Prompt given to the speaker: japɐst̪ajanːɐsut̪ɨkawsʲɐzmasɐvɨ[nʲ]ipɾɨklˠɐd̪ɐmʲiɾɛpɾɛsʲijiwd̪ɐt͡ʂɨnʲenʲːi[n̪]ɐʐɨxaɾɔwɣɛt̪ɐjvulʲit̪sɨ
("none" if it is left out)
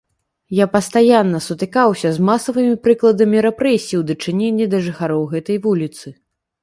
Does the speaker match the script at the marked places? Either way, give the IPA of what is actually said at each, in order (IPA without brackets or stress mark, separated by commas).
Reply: mʲ, d̪